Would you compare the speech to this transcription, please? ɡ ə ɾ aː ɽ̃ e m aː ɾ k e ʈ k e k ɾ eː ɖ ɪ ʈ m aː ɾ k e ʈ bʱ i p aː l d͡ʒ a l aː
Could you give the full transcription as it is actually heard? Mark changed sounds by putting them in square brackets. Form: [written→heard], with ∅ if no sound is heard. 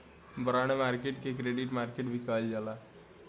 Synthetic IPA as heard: [ɡ→b] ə ɾ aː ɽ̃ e m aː ɾ k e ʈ k e k ɾ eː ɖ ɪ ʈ m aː ɾ k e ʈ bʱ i [p→k] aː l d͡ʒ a l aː

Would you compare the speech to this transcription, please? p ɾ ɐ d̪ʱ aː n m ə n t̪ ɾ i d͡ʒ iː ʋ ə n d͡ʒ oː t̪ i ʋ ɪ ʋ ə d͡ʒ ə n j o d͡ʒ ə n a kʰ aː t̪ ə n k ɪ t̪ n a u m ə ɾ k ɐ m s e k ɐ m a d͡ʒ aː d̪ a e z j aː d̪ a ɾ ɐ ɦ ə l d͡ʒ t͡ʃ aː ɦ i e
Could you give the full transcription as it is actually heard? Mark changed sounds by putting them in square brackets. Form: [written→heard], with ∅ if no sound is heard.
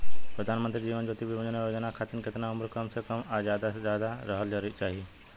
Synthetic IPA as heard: p ɾ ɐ d̪ʱ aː n m ə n t̪ ɾ i d͡ʒ iː ʋ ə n d͡ʒ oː t̪ i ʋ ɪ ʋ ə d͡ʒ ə n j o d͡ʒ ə n a kʰ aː t̪ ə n k ɪ t̪ n a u m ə ɾ k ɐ m s e k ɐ m a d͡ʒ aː d̪ a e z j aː d̪ a ɾ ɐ ɦ ə l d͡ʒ t͡ʃ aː ɦ i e

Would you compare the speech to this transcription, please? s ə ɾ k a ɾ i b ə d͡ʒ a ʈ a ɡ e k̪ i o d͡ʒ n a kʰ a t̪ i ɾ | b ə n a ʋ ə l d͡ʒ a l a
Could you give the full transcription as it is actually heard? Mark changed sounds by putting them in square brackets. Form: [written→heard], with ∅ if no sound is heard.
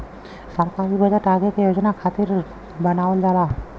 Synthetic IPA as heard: s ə ɾ k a ɾ i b ə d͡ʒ a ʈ a ɡ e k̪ [i→j] o d͡ʒ n a kʰ a t̪ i ɾ | b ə n a ʋ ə l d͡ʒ a l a

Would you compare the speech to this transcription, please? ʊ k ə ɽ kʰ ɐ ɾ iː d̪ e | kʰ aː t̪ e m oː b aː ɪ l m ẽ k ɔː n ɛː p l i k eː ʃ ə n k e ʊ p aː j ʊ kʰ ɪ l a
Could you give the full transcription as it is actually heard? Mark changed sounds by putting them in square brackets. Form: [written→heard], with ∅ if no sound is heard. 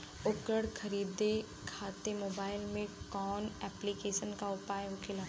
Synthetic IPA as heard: ʊ k ə ɽ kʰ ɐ ɾ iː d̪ e | kʰ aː t̪ e m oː b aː ɪ l m ẽ k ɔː n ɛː p l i k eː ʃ ə n k [e→a] ʊ p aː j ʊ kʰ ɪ l a

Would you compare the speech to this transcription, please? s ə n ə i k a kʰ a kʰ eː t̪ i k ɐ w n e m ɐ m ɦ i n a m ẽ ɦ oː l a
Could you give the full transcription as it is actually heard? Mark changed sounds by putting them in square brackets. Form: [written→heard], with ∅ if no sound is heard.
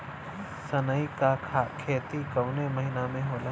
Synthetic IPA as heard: s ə n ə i k a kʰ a kʰ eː t̪ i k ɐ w n e m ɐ [m→∅] ɦ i n a m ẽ ɦ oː l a

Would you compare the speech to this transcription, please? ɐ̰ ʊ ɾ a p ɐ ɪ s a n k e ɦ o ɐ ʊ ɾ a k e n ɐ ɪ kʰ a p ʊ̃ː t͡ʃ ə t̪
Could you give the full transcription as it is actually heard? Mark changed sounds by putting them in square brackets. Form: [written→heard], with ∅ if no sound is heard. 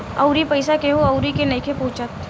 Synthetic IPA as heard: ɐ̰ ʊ ɾ [a→i] p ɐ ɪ s a [n→∅] k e ɦ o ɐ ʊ ɾ [a→i] k e n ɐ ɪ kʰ [a→e] p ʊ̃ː t͡ʃ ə t̪

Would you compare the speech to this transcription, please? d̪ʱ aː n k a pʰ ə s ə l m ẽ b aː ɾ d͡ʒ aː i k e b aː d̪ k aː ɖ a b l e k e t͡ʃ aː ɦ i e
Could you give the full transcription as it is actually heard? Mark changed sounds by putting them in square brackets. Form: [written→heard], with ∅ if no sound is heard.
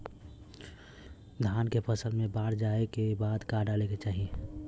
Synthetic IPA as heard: d̪ʱ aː n k [a→e] pʰ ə s ə l m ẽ b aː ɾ d͡ʒ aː [i→e] k e b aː d̪ k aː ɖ a [b→∅] l e k e t͡ʃ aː ɦ i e

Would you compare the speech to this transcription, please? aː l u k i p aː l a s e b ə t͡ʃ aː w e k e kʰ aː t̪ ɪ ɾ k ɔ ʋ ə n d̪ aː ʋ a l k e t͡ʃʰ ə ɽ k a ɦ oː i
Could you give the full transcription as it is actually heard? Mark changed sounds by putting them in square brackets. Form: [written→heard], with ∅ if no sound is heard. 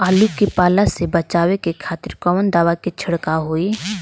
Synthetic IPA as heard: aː l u k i p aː l a s e b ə t͡ʃ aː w e k e kʰ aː t̪ ɪ ɾ k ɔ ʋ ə n d̪ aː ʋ a [l→∅] k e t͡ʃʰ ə ɽ k a ɦ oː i

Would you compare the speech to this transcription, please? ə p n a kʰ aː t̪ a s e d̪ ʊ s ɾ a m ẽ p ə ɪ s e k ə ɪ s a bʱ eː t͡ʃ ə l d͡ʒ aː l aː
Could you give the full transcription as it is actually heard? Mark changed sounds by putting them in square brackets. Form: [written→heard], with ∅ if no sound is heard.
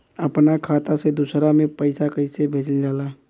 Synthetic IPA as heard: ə p n a kʰ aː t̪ a s e d̪ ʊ s ɾ a m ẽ p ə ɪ s [e→a] k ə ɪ s [a→e] bʱ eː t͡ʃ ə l d͡ʒ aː l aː

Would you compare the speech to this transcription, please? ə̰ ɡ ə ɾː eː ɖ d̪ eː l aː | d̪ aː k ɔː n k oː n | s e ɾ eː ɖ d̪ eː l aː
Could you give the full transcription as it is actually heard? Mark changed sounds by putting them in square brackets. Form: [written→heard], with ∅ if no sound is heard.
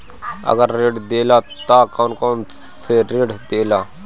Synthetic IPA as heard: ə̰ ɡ ə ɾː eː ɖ d̪ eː l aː | [d̪→t̪] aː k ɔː n k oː n | s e ɾ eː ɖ d̪ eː l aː

